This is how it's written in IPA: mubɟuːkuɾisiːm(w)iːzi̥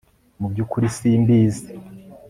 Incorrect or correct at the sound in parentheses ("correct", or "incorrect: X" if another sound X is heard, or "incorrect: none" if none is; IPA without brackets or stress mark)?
incorrect: b